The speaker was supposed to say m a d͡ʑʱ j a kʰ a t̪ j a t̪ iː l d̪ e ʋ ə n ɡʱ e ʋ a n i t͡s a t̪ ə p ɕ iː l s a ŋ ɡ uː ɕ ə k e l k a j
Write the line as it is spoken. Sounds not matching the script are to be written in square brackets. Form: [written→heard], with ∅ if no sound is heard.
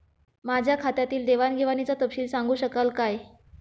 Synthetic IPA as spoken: m a d͡ʑʱ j a kʰ a t̪ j a t̪ iː l d̪ e ʋ [ə→a] n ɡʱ e ʋ a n i t͡s a t̪ ə p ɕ iː l s a ŋ ɡ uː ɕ ə k [e→a] l k a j